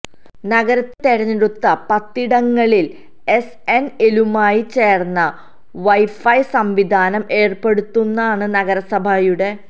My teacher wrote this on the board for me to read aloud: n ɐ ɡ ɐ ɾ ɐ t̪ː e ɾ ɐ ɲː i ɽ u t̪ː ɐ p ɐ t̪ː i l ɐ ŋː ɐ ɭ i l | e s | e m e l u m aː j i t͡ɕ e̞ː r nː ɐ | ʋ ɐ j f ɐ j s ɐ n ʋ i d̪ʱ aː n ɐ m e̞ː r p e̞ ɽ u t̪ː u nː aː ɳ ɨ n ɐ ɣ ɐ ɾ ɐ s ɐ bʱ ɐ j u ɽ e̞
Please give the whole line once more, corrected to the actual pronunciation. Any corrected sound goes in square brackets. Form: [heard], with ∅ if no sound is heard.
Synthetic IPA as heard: n ɐ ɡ ɐ ɾ ɐ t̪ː e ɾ ɐ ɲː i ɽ u t̪ː ɐ p ɐ t̪ː i [ɽ] ɐ ŋː ɐ ɭ i l | e s | e [n] e l u m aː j i t͡ɕ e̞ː r nː ɐ | ʋ ɐ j f ɐ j s ɐ [m] ʋ i d̪ʱ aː n ɐ m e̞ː r p e̞ ɽ u t̪ː u nː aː ɳ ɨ n ɐ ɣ ɐ ɾ ɐ s ɐ bʱ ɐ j u ɽ e̞

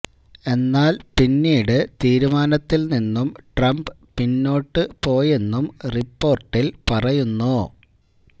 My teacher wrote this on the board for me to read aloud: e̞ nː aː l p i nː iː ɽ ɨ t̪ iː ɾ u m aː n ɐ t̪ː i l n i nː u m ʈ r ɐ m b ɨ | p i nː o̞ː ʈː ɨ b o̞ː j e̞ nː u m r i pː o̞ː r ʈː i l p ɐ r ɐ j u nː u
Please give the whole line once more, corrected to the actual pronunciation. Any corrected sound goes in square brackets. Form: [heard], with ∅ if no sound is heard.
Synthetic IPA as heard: e̞ nː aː l p i nː iː ɽ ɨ t̪ iː ɾ u m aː n ɐ t̪ː i l n i nː u m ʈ r ɐ m b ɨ | p i nː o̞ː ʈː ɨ [p] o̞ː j e̞ nː u m r i pː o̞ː r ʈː i l p ɐ r ɐ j u nː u

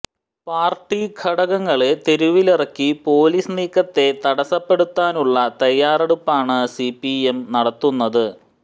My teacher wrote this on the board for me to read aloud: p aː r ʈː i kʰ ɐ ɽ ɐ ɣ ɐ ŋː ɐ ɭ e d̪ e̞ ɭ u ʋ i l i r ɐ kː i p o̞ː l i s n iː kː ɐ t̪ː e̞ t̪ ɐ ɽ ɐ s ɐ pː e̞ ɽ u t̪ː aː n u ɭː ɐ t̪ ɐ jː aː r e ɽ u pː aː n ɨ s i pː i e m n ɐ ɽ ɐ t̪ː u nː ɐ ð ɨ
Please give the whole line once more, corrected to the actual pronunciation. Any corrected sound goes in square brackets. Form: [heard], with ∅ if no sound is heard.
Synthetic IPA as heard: p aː r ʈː i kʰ ɐ ɽ ɐ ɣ ɐ ŋː ɐ ɭ e [t̪] e̞ [ɾ] u ʋ i l i r ɐ kː i p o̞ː l i s n iː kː ɐ t̪ː e̞ t̪ ɐ ɽ ɐ s ɐ pː e̞ ɽ u t̪ː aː n u ɭː ɐ t̪ ɐ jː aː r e ɽ u pː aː [ɳ] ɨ s i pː i e m n ɐ ɽ ɐ t̪ː u nː ɐ ð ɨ

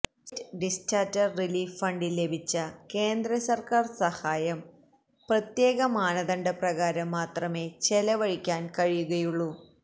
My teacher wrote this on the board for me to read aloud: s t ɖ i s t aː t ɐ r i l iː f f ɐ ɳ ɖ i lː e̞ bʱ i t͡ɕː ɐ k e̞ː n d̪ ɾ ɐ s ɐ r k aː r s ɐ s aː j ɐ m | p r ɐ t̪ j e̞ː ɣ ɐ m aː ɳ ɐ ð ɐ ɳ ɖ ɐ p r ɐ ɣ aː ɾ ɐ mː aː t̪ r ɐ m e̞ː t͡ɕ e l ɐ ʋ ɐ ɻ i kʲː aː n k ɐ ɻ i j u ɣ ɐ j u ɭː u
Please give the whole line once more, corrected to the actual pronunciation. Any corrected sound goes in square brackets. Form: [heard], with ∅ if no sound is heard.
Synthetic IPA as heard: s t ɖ i s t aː t ɐ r i l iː f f ɐ ɳ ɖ i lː e̞ bʱ i t͡ɕː ɐ k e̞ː n d̪ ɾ ɐ s ɐ r k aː r s ɐ [h] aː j ɐ m | p r ɐ t̪ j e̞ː ɣ ɐ m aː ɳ ɐ ð ɐ ɳ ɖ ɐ p r ɐ ɣ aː ɾ ɐ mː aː t̪ r ɐ m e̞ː t͡ɕ e l ɐ ʋ ɐ ɻ i kʲː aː n k ɐ ɻ i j u ɣ ɐ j u ɭː u

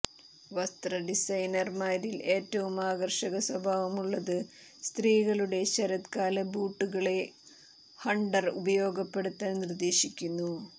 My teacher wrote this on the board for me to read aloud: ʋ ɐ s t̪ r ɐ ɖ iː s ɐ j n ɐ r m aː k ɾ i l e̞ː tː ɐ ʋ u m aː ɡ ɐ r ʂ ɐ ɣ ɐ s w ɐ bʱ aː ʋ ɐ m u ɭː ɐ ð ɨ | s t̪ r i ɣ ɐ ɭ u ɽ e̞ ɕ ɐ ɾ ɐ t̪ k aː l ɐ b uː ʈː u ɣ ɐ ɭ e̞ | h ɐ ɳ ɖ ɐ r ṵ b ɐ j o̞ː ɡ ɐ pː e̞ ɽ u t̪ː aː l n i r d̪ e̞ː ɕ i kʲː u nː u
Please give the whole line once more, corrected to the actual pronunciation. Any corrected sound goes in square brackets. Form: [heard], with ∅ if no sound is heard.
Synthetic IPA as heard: ʋ ɐ s t̪ r ɐ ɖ [i] s ɐ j n ɐ r m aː [∅] ɾ i l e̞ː tː ɐ ʋ u m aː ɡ ɐ r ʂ ɐ ɣ ɐ s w ɐ bʱ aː ʋ ɐ m u ɭː ɐ ð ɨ | s t̪ r [iː] ɣ ɐ ɭ u ɽ e̞ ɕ ɐ ɾ ɐ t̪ k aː l ɐ b uː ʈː u ɣ ɐ ɭ e̞ | h ɐ ɳ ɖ ɐ r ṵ b ɐ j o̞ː ɡ ɐ pː e̞ ɽ u t̪ː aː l n i r d̪ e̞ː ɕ i kʲː u nː u

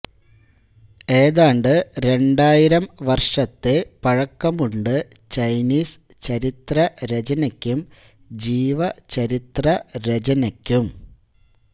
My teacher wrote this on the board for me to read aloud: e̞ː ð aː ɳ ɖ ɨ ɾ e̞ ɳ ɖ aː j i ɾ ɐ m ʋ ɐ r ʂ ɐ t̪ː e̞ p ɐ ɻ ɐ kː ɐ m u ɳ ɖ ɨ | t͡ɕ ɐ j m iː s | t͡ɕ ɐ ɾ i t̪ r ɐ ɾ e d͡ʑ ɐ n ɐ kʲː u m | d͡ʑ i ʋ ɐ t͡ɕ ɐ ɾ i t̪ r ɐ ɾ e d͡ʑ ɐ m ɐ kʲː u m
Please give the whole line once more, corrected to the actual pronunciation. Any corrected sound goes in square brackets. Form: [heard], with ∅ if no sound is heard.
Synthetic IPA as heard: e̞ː ð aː ɳ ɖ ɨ ɾ e̞ ɳ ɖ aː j i ɾ ɐ m ʋ ɐ r ʂ ɐ t̪ː e̞ p ɐ ɻ ɐ kː ɐ m u ɳ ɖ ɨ | t͡ɕ ɐ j [n] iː s | t͡ɕ ɐ ɾ i t̪ r ɐ ɾ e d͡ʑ ɐ n ɐ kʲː u m | d͡ʑ [iː] ʋ ɐ t͡ɕ ɐ ɾ i t̪ r ɐ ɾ e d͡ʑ ɐ [n] ɐ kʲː u m

